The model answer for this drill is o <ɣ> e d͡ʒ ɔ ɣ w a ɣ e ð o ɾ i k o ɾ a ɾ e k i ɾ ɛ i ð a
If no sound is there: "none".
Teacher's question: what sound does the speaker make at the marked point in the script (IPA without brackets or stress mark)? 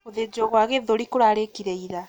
ð